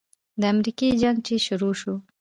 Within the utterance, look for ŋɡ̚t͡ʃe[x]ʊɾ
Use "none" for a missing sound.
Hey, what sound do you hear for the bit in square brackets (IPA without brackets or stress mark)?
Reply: ʃ